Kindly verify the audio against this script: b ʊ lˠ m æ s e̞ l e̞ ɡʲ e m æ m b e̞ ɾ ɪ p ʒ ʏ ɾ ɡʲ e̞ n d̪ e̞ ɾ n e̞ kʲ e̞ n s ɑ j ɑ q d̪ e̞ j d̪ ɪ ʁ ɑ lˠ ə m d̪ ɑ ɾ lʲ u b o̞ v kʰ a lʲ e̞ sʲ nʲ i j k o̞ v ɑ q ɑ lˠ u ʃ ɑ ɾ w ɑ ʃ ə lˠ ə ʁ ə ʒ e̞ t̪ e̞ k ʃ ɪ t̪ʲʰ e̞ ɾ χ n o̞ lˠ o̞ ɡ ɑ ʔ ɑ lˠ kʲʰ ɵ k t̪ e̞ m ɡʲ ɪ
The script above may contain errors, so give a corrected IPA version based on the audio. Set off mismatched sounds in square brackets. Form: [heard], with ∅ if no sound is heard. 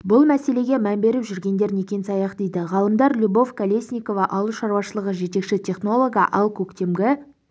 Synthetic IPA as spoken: b ʊ lˠ m æ s e̞ l e̞ ɡʲ e m æ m b e̞ ɾ ɪ p ʒ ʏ ɾ ɡʲ e̞ n d̪ e̞ ɾ n e̞ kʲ e̞ n s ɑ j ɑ q d̪ e̞ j d̪ ɪ ʁ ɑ lˠ ə m d̪ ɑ ɾ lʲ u b o̞ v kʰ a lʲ e̞ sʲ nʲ i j k o̞ v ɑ [ʔ] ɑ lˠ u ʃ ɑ ɾ w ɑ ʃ ə lˠ ə ʁ ə ʒ e̞ t̪ e̞ k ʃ ɪ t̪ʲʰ e̞ [∅] χ n o̞ lˠ o̞ ɡ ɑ ʔ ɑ lˠ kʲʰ ɵ k t̪ e̞ m ɡʲ ɪ